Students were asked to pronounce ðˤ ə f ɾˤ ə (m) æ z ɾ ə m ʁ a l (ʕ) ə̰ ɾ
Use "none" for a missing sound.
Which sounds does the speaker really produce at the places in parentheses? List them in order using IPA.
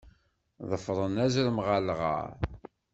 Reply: n, ʁ

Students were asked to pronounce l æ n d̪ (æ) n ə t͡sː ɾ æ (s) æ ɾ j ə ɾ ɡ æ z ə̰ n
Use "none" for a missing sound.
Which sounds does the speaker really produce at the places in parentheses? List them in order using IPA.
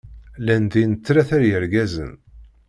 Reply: i, θ

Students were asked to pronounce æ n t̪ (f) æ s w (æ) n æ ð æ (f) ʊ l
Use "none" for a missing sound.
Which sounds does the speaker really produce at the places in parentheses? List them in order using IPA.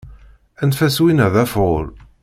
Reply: f, i, f

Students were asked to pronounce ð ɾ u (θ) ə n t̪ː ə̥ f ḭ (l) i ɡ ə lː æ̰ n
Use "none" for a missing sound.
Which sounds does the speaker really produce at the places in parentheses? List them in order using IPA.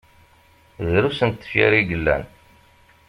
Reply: s, ɾ

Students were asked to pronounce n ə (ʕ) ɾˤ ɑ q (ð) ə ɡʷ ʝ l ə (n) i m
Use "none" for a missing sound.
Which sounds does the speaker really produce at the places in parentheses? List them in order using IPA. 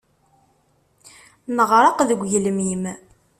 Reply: ʁ, ð, m

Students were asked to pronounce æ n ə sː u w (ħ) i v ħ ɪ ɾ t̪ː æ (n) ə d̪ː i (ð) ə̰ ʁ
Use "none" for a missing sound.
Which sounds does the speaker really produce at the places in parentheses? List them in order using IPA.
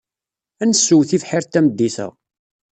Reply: θ, m, θ

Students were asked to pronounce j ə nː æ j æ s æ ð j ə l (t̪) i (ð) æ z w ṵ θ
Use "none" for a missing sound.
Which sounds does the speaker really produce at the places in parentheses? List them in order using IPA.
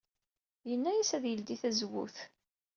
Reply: d̪, θ

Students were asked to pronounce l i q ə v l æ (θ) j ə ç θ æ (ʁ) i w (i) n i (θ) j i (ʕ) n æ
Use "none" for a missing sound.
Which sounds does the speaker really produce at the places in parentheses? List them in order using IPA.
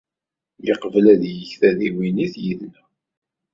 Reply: ð, ð, i, θ, ð

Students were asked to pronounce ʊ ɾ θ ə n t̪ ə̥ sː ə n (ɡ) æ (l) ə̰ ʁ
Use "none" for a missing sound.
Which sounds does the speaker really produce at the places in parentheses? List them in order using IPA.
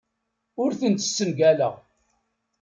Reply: ɡ, l

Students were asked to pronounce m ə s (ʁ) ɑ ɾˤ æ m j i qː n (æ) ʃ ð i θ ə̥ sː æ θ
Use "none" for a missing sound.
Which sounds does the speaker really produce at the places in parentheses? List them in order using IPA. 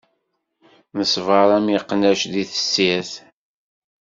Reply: v, æ

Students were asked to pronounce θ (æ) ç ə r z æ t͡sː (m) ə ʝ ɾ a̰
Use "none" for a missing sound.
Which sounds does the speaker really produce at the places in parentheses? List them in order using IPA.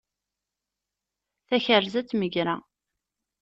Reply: æ, m

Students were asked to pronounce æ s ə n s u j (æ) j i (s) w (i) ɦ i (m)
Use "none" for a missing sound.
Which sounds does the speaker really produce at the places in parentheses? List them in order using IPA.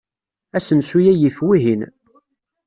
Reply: æ, θ, i, n

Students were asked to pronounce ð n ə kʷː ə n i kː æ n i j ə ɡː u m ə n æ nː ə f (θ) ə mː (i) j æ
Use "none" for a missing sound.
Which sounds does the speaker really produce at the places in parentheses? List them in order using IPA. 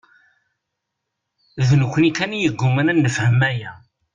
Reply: h, æ

